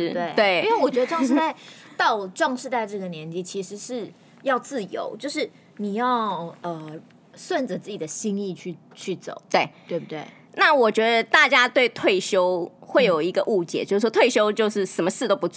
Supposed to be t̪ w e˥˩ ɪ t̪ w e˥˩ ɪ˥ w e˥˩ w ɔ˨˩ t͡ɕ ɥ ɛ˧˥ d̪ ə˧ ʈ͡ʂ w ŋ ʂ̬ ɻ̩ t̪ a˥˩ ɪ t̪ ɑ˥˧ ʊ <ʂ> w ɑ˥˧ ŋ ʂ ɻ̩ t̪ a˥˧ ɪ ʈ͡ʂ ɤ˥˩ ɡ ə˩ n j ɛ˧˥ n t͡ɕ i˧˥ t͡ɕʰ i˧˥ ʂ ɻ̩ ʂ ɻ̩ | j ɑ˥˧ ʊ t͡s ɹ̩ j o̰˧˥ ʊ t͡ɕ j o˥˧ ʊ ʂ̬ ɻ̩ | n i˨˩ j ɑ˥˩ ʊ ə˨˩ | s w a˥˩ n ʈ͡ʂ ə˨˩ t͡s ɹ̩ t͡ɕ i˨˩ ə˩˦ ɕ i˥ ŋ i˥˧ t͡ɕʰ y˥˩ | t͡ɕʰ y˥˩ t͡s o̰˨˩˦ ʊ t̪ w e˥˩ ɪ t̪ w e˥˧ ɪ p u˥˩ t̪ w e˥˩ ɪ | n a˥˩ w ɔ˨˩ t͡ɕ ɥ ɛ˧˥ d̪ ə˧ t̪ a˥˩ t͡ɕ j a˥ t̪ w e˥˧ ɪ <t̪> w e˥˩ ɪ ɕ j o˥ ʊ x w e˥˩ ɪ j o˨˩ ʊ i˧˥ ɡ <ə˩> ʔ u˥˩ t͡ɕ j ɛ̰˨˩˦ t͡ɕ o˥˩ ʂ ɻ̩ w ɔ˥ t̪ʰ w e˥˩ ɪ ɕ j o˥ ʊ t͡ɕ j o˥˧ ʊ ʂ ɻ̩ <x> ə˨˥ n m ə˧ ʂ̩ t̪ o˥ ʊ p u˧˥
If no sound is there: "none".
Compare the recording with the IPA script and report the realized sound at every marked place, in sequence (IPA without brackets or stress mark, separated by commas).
ʈ͡ʂ, t̪ʰ, ə˧, ʂ